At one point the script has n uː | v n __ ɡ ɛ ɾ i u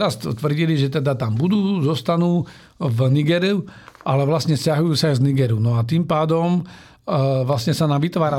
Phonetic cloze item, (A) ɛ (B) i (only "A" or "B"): B